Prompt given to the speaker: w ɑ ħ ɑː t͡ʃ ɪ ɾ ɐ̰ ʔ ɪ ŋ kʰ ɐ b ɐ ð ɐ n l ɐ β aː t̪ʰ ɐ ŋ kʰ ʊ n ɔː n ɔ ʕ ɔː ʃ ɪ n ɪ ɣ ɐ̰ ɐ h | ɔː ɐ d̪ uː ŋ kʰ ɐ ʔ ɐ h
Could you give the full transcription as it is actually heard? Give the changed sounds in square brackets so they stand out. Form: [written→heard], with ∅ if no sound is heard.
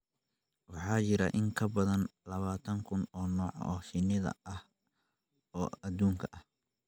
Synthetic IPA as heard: w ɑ ħ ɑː t͡ʃ ɪ ɾ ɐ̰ ʔ ɪ ŋ kʰ ɐ b ɐ ð ɐ n l ɐ β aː t̪ʰ ɐ ŋ kʰ ʊ n ɔː n [ɔ→ɔː] ʕ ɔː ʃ ɪ n ɪ [ɣ→ð] ɐ̰ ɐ h | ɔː ɐ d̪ uː ŋ kʰ ɐ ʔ ɐ h